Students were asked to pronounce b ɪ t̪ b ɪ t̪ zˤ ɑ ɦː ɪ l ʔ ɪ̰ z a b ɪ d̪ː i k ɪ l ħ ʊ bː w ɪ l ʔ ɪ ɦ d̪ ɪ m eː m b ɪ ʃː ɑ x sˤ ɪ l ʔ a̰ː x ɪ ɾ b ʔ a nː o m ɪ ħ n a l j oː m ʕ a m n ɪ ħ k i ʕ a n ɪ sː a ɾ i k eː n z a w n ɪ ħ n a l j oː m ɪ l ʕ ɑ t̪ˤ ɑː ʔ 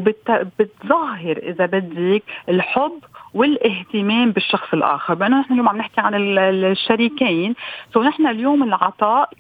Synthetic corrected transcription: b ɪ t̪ b ɪ t̪ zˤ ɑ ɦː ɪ ɾ ʔ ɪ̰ z a b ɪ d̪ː i k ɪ l ħ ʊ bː w ɪ l ʔ ɪ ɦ t̪ ɪ m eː m b ɪ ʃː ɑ x sˤ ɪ l ʔ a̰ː x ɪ ɾ b ʔ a nː o n ɪ ħ n a l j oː m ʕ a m n ɪ ħ k i ʕ a n ɪ ʃː a ɾ i k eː n s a w n ɪ ħ n a l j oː m ɪ l ʕ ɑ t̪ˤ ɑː ʔ